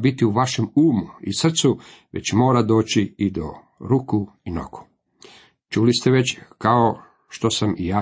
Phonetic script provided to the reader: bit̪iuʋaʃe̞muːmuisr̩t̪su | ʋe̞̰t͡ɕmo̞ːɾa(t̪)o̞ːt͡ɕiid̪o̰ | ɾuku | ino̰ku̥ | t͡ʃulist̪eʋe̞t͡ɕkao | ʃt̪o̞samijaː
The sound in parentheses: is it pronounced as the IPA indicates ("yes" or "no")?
no